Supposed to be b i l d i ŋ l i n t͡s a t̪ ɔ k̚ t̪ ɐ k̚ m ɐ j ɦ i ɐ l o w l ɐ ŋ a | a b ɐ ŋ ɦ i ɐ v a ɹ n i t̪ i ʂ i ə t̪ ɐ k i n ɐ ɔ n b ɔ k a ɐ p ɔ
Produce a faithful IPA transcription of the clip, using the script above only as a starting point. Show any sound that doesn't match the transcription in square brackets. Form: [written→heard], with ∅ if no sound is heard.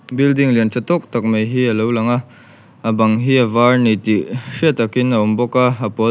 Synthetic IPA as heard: b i l d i ŋ l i n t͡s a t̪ ɔ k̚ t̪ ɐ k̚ m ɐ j ɦ i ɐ l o w l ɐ ŋ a | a b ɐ ŋ ɦ i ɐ v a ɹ n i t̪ i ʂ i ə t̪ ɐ k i n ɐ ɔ [n→m] b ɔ k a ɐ p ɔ

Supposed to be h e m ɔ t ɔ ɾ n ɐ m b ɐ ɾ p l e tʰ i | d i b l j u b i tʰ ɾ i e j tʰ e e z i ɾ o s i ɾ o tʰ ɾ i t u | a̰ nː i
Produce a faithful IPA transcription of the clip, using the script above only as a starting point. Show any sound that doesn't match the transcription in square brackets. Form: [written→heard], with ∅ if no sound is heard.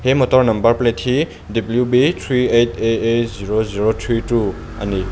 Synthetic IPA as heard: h e m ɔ t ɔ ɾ n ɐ m b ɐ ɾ p l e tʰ i | d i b l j u b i tʰ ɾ i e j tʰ e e z i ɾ o [s→z] i ɾ o tʰ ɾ i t u | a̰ [nː→n] i

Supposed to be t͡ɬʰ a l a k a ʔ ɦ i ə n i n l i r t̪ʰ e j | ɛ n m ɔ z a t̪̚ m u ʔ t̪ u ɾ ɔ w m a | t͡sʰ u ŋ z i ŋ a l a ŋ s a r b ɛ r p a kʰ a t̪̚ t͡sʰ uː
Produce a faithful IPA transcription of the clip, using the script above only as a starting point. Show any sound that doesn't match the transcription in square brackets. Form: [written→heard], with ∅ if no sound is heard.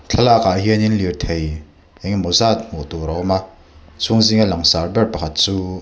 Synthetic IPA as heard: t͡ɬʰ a l a k a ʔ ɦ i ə n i n l i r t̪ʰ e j | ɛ [n→ŋ] m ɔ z a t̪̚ m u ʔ t̪ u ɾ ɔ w m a | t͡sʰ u ŋ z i ŋ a l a ŋ s a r b ɛ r p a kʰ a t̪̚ [t͡sʰ→t͡s] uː

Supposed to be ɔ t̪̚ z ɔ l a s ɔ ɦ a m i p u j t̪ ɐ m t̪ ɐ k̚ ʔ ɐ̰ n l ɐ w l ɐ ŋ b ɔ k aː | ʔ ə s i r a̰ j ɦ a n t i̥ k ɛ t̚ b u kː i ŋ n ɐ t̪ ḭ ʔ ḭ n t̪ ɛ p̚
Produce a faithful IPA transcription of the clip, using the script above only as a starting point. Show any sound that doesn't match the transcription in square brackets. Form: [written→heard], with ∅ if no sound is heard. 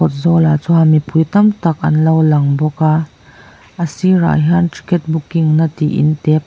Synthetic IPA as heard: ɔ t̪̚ z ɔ l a [s→t͡s] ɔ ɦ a m i p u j t̪ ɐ m t̪ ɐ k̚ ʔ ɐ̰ n l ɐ w l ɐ ŋ b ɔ k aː | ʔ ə s i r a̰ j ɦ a n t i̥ k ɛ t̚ b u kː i ŋ n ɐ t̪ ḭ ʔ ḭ n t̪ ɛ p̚

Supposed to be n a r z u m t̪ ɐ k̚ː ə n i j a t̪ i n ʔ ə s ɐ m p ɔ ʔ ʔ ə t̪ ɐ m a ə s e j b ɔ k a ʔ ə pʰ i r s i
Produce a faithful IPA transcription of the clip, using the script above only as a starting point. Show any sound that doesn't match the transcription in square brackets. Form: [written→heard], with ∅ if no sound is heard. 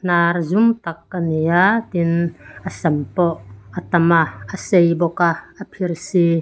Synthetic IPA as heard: n a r z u m t̪ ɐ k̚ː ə n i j a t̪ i n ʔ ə s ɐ m p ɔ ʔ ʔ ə t̪ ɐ m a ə s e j b ɔ k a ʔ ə pʰ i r s i

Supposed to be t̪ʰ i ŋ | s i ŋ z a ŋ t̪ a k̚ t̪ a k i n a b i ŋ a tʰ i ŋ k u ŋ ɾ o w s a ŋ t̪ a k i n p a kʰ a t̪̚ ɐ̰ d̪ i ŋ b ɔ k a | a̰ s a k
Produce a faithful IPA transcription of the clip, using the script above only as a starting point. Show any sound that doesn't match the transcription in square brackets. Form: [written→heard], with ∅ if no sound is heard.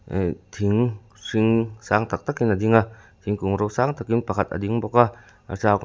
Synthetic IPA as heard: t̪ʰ i ŋ | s i ŋ [z→s] a ŋ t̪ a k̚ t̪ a k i n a [b→d] i ŋ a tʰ i ŋ k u ŋ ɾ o w s a ŋ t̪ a k i n p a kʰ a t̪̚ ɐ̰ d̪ i ŋ b ɔ k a | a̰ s a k

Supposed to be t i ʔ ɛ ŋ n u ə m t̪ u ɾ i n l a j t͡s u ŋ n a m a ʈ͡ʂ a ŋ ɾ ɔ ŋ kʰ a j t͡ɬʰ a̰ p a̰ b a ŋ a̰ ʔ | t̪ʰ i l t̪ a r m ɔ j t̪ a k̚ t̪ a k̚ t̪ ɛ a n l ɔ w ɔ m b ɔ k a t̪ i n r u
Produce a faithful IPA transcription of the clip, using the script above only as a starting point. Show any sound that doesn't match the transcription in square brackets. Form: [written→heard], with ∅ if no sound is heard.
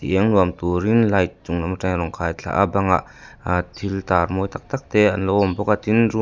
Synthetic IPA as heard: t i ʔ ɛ ŋ n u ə m t̪ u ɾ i n l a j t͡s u ŋ n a m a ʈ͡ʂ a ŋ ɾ ɔ ŋ kʰ a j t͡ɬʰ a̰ [p→ʔ] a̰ b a ŋ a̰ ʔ | t̪ʰ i l t̪ a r m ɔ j t̪ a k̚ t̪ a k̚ t̪ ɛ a n l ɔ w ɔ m b ɔ k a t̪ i n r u

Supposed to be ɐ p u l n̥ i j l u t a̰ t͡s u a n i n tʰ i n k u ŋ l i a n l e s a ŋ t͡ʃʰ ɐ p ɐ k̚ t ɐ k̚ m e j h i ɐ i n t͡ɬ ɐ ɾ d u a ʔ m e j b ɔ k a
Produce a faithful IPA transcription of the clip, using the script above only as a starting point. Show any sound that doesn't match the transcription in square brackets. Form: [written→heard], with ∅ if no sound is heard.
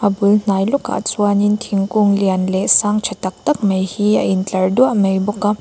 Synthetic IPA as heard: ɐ [p→b] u l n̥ [i→a] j l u [t→k] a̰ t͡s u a n i n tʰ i [n→ŋ] k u ŋ l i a n l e s a ŋ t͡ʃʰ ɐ [p→t] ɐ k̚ t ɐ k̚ m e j h i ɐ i n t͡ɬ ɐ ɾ d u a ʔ m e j b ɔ k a

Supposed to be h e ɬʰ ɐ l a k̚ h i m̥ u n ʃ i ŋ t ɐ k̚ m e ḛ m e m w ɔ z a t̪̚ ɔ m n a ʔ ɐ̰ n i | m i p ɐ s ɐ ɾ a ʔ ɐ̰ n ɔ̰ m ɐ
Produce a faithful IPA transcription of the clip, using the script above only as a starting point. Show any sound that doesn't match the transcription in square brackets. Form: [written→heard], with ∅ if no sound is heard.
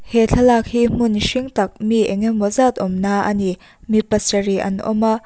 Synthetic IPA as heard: h e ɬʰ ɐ l a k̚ h i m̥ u n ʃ i ŋ t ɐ k̚ m [e→i] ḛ [m→ŋ] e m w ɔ z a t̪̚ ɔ m n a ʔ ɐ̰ n i | m i p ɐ s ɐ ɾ [a→i] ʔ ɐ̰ n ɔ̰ m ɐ

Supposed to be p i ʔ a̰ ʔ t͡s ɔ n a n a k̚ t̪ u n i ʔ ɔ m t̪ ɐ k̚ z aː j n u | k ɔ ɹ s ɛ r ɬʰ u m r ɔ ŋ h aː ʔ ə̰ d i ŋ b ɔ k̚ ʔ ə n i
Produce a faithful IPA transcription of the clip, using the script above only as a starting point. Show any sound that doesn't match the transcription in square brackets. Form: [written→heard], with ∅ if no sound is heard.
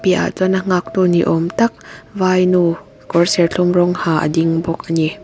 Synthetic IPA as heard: p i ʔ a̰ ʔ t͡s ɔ n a [n→ŋ] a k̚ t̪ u n i ʔ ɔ m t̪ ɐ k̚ [z→v] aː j n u | k ɔ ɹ s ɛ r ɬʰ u m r ɔ ŋ h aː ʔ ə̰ d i ŋ b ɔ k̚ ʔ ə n i

